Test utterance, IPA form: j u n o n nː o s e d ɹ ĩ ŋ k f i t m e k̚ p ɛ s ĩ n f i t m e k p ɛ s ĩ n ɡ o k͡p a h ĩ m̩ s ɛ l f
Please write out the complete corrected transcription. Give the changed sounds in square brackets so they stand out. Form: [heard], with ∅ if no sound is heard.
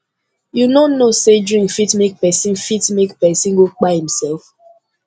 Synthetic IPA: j u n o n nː o s e d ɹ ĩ ŋ k f i t m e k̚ p ɛ s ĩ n f i t m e k p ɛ s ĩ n ɡ o k͡p a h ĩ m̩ s ɛ l f